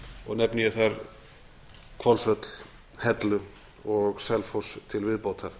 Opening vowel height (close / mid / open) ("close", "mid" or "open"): mid